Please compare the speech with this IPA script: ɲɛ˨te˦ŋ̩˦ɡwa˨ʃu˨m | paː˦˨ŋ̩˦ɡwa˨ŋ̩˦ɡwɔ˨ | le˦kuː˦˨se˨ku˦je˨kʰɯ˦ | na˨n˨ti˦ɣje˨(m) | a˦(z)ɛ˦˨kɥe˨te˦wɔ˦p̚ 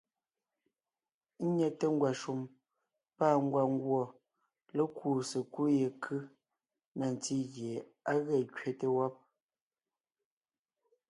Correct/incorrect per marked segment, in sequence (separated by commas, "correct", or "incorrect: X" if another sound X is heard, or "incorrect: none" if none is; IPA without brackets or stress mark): incorrect: none, incorrect: ɣ